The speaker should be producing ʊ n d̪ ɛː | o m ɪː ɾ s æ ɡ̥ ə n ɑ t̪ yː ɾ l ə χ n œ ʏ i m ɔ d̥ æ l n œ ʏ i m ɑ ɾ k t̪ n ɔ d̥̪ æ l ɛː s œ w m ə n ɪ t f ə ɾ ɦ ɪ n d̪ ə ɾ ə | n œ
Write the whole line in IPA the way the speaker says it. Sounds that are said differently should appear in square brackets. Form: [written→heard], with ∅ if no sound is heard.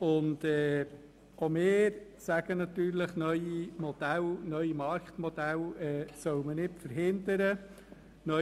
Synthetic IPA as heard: ʊ n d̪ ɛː | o m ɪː ɾ s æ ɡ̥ ə n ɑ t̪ yː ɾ l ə χ n œ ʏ i m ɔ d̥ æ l n œ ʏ i m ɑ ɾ k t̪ [n→m] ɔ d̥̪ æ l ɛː s œ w m ə n ɪ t f ə ɾ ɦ ɪ n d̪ ə ɾ ə | n œ